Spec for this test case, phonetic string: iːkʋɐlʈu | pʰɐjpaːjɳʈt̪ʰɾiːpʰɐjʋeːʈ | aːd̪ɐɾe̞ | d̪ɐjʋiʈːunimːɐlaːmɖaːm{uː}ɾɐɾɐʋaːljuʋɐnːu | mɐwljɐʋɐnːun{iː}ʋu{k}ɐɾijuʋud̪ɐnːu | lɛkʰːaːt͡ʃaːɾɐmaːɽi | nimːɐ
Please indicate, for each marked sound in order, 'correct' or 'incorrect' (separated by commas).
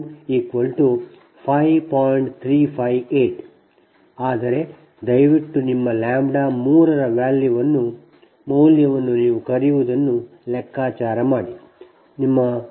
correct, correct, correct